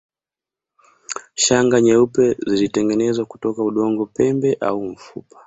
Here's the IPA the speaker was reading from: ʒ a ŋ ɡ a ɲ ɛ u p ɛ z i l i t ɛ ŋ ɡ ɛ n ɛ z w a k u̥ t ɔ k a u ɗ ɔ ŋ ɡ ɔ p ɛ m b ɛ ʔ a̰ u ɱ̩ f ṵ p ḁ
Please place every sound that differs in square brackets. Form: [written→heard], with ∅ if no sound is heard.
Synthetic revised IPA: [ʒ→ʃ] a ŋ ɡ a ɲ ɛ u p ɛ z i l i t ɛ ŋ ɡ ɛ n ɛ z w a k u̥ t ɔ k a u ɗ ɔ ŋ ɡ ɔ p ɛ m b ɛ ʔ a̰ u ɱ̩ f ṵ p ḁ